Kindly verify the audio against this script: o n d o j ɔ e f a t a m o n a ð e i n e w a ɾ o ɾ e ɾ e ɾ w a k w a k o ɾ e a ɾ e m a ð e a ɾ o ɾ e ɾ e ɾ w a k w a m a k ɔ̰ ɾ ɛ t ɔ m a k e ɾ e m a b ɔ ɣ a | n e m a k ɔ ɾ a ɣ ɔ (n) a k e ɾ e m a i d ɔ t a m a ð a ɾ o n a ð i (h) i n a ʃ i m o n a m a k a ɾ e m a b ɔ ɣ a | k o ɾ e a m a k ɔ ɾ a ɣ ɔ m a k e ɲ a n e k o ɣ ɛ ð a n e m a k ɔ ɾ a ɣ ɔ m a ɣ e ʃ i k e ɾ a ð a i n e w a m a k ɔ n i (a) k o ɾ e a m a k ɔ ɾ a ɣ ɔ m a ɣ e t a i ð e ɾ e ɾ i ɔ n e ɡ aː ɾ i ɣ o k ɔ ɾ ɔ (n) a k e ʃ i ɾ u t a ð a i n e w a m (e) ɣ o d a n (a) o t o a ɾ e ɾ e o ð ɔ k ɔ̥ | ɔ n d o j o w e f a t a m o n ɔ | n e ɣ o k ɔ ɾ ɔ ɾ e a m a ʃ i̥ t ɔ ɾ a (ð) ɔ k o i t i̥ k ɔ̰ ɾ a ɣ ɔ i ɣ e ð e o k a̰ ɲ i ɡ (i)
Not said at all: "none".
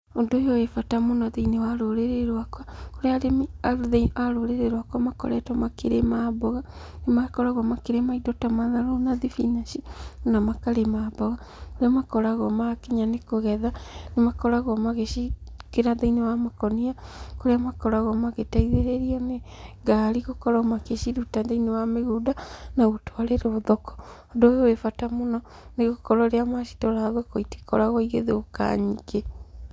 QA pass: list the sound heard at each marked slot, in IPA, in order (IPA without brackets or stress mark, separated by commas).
m, f, a, m, e, a, ð, e